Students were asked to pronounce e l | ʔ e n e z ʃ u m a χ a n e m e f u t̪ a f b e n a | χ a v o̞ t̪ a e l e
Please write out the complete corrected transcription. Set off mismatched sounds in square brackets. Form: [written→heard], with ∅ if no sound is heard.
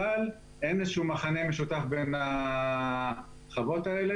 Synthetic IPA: [e→a] l | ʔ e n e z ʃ u m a χ a n e m e [f→ʃ] u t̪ a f b e n a | χ a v o̞ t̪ a e l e

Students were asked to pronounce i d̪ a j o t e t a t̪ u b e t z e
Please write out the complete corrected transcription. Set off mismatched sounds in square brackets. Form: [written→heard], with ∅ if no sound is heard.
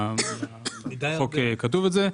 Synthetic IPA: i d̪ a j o [t→k] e [t→k] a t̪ u [b→v] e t z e

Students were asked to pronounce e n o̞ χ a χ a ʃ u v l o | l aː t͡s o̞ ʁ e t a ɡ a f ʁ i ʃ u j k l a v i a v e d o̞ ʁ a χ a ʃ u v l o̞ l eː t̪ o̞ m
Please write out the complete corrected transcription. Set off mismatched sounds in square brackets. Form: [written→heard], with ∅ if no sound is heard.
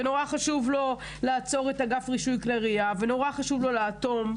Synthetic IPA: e n o̞ [χ→ʁ] a χ a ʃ u v l o | l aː t͡s o̞ ʁ e t a ɡ a f ʁ i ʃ u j k l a [v→ʁ] i a v e [d→n] o̞ ʁ a χ a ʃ u v l o̞ l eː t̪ o̞ m

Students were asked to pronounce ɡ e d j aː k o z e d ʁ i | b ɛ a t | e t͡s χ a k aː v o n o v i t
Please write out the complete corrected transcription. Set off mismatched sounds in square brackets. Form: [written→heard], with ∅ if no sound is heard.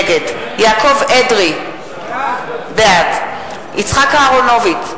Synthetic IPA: ɡ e d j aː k o [z→v] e d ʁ i | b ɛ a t | [e→i] t͡s χ a k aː [v→ʁ] o n o v i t

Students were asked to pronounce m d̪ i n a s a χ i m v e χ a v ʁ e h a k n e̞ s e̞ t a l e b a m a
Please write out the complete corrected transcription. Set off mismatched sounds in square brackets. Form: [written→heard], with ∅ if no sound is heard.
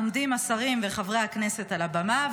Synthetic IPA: m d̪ i [n→m] a s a [χ→ʁ] i m v e χ a v ʁ e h a k n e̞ s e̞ t a l [e→a] b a m a

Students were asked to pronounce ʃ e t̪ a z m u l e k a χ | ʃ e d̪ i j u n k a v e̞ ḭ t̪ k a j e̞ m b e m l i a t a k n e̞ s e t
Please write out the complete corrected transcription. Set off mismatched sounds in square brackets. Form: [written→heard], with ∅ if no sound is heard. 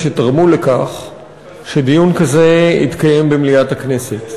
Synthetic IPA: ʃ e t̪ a [z→ʁ] m u l e k a χ | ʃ e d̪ i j u n k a [v→z] e̞ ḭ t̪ k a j e̞ m b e m l i a t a k n e̞ s e t

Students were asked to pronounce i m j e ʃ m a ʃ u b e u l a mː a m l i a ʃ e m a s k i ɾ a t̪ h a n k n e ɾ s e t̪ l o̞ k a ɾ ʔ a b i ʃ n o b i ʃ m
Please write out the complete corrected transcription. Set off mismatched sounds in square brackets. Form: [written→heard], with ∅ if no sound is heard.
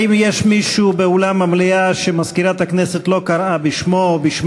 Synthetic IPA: i m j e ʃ m [a→i] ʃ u b e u l a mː a m l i a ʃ e m a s k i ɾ a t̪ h a [n→∅] k n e [ɾ→∅] s e t̪ l o̞ k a ɾ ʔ a b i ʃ [n→m] o b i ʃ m

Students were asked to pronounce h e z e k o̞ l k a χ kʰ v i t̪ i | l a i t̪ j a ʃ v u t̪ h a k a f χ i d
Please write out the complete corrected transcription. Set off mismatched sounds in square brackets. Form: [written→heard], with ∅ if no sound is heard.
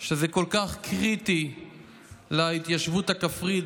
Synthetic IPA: [h→ʃ] e z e k o̞ l k a χ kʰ [v→ʁ] i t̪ i | l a i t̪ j a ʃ v u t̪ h a k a f [χ→ʁ] i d

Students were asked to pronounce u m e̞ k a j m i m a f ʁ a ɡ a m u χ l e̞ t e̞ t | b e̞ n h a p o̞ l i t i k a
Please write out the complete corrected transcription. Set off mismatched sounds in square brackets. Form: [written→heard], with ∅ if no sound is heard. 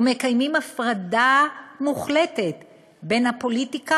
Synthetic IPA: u m e̞ k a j m i m a f ʁ a [ɡ→d] a m u χ l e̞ t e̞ t | b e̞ n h a p o̞ l i t i k a

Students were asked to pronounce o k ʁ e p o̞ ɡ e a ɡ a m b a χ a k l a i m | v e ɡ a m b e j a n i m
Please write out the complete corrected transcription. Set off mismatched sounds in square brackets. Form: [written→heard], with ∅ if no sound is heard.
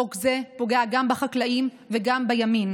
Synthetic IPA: o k [ʁ→z] e p o̞ ɡ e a ɡ a m b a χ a k l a i m | v e ɡ a m b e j a [n→m] i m

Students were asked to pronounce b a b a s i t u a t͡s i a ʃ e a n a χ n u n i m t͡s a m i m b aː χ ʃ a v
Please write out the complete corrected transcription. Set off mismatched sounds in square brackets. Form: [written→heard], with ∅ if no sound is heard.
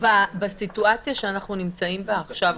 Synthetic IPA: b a b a s i t u a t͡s [i→j] a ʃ e a n a χ n u n i m t͡s a [m→∅] i m b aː χ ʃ a v

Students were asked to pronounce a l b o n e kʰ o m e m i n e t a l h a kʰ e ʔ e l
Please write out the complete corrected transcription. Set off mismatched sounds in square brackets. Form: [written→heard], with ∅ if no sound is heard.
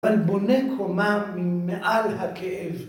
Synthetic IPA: a l b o n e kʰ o m [e→a] m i [n→m] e [t→ʔ] a l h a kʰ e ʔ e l

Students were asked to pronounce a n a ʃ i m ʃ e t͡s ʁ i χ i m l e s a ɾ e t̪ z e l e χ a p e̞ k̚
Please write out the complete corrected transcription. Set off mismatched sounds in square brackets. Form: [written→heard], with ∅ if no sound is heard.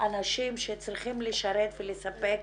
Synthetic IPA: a n a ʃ i m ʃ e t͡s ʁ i χ i m l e [s→ʃ] a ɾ e t̪ [z→v] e l e [χ→s] a p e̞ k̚

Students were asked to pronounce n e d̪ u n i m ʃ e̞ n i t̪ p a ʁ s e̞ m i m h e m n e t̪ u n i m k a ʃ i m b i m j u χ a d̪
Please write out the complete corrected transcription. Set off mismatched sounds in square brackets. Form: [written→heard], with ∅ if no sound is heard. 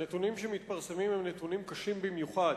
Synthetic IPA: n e [d̪→t̪] u n i m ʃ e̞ [n→m] i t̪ p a ʁ s e̞ m i m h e m n e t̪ u n i m k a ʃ i m b i m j u χ a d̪

